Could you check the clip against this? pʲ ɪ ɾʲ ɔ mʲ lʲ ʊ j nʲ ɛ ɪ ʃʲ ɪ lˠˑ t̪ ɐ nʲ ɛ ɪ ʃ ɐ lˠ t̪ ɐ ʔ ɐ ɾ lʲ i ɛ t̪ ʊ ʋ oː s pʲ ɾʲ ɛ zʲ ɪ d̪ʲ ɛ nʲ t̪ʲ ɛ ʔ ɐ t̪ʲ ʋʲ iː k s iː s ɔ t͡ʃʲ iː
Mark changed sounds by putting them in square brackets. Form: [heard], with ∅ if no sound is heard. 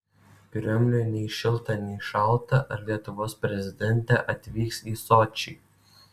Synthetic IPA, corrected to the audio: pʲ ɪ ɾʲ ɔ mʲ lʲ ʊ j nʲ ɛ ɪ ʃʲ ɪ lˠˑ t̪ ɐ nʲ ɛ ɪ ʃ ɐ lˠ t̪ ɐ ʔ ɐ ɾ lʲ i ɛ t̪ ʊ ʋ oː s pʲ ɾʲ ɛ zʲ ɪ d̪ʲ ɛ nʲ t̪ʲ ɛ ʔ ɐ t̪ʲ ʋʲ iː k s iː s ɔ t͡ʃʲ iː